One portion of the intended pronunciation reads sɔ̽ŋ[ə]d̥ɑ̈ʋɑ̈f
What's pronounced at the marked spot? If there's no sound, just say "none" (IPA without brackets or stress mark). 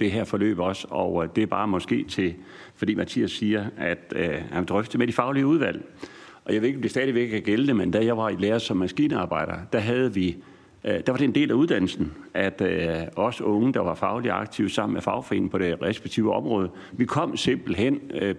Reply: ə